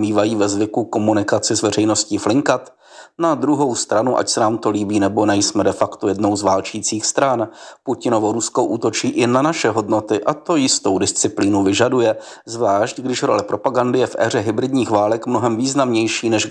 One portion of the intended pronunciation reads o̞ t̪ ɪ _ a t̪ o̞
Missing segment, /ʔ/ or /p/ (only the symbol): ʔ